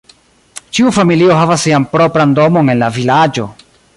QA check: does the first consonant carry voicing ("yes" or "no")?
no